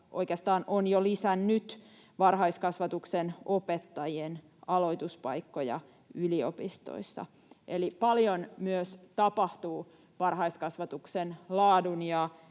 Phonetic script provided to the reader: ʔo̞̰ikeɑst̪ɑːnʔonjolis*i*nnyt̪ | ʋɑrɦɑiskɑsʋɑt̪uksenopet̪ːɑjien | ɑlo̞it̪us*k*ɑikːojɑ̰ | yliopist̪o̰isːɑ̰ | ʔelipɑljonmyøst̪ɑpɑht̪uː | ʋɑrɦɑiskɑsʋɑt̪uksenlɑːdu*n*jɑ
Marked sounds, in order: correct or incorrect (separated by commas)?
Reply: incorrect, incorrect, correct